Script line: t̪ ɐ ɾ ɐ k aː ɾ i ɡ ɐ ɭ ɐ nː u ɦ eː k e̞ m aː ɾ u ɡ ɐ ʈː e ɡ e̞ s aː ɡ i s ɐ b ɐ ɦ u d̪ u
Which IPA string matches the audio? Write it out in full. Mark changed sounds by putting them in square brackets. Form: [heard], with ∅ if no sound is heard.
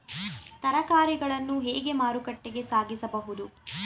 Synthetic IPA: t̪ ɐ ɾ ɐ k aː ɾ i ɡ ɐ ɭ ɐ nː u ɦ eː [ɡ] e̞ m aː ɾ u [k] ɐ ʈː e ɡ e̞ s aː ɡ i s ɐ b ɐ ɦ u d̪ u